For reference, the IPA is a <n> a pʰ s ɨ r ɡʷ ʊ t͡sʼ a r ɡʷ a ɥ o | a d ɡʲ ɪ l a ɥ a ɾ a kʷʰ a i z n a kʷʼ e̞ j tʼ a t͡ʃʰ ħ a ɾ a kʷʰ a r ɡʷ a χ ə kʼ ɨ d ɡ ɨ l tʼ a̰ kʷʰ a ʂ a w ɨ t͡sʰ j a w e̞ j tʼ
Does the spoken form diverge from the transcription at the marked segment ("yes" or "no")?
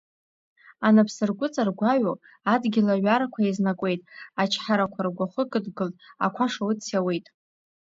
no